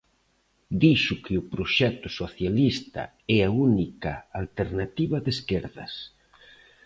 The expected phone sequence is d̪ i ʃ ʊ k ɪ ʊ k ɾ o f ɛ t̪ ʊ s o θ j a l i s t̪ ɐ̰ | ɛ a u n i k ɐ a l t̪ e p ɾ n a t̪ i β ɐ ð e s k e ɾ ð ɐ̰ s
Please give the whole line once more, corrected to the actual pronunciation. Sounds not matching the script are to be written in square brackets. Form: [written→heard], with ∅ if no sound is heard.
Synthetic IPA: d̪ i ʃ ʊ k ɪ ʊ [k→p] ɾ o [f→ʃ] ɛ t̪ ʊ s o θ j a l i s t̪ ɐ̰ | ɛ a u n i k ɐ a l t̪ e [p→∅] ɾ n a t̪ i β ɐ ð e s k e ɾ ð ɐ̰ s